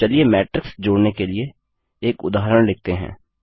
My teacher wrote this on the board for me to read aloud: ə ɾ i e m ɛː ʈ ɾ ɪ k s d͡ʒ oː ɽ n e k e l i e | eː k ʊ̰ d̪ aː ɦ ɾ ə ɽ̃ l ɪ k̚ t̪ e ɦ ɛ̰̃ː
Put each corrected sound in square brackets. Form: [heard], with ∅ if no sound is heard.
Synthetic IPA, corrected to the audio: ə [l] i e m ɛː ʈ ɾ ɪ k s d͡ʒ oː ɽ n e k e l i e | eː k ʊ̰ d̪ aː ɦ ɾ ə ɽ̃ l ɪ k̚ t̪ e ɦ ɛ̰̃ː